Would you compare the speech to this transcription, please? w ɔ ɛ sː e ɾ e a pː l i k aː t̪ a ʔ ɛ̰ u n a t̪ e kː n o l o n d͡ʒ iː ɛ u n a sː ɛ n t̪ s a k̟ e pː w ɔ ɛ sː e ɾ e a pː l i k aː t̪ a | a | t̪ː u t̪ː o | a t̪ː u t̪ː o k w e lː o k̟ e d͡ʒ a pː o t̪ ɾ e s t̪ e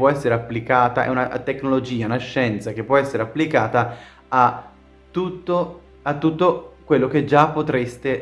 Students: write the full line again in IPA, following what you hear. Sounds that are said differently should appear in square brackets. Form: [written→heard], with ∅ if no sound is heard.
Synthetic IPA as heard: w ɔ ɛ sː e ɾ e a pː l i k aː t̪ a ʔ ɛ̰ u n a t̪ e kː n o l o [n→∅] d͡ʒ iː [ɛ→a] u n a [sː→ʃː] ɛ n t̪ s a k̟ e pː w ɔ ɛ sː e ɾ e a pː l i k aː t̪ a | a | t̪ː u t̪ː o | a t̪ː u t̪ː o k w e lː o k̟ e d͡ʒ a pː o t̪ ɾ e s t̪ e